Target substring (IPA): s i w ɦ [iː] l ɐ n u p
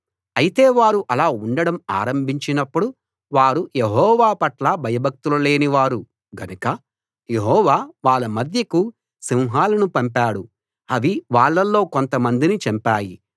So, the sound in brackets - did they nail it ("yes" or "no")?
no